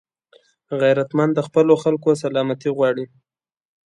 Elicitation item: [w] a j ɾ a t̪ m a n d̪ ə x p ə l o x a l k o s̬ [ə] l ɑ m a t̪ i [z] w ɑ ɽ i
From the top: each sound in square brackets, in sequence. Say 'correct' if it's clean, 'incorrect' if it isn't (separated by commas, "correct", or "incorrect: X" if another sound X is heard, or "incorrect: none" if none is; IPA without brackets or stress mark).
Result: incorrect: ɣ, incorrect: a, incorrect: ɣ